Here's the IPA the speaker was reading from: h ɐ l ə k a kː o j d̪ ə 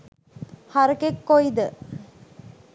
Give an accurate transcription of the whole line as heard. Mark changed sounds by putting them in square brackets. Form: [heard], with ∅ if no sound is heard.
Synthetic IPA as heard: h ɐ [ɾ] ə k [e] kː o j d̪ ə